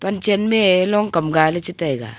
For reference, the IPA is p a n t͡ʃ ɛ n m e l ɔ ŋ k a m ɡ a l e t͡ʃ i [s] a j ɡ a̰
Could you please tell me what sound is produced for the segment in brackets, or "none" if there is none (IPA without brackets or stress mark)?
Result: t